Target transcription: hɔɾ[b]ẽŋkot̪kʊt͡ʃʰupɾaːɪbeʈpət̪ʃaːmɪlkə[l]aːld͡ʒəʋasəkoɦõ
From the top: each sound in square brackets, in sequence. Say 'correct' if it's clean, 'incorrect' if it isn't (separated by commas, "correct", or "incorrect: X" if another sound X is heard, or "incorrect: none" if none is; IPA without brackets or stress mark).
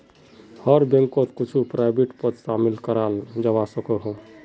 correct, incorrect: ɾ